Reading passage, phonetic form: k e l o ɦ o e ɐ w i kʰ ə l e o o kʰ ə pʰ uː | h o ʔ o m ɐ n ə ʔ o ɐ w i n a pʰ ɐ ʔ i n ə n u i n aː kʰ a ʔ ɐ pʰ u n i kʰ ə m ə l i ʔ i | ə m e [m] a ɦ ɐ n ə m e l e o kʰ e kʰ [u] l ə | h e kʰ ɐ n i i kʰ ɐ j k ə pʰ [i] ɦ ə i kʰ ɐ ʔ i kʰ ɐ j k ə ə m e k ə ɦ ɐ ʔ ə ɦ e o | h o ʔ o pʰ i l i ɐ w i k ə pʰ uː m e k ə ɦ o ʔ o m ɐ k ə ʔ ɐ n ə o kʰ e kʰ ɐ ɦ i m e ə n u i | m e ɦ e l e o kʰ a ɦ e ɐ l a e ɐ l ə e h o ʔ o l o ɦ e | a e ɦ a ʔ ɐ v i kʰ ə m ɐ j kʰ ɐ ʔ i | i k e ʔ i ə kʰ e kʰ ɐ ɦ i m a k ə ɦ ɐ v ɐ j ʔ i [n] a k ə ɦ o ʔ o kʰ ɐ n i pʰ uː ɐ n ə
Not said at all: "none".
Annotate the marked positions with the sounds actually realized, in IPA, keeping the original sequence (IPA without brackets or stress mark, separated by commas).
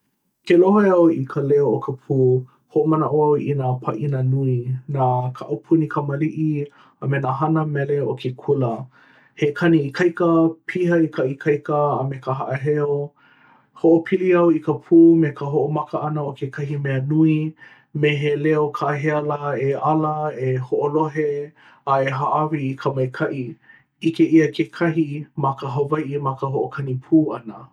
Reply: n, u, i, m